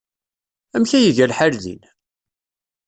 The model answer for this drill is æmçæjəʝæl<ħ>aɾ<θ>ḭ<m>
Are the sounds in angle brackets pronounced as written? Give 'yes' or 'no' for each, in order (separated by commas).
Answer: yes, no, no